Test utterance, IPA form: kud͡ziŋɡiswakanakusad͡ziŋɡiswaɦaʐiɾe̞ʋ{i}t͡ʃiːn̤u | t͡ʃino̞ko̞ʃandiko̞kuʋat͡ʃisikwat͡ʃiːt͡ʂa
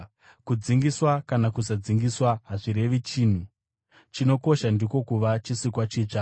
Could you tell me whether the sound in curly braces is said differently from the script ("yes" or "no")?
no